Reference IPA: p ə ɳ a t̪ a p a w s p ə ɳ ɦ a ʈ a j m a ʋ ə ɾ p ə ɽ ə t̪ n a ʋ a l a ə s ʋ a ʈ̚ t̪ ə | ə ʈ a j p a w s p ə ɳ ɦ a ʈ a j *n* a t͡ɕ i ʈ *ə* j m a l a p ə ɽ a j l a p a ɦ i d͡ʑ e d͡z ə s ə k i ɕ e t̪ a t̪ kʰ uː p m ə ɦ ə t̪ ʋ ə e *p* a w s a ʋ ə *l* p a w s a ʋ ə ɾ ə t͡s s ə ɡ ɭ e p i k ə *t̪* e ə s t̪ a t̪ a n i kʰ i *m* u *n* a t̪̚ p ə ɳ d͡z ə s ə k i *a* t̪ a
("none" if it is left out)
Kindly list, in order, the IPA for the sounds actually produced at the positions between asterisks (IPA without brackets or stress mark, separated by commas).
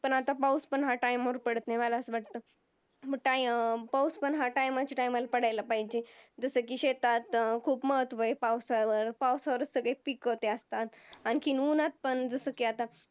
m, a, p, ɾ, t̪, n, n, a